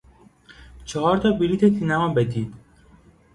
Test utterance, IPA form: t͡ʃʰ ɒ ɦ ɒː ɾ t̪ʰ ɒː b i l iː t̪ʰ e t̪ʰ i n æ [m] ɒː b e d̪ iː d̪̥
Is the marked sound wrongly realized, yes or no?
no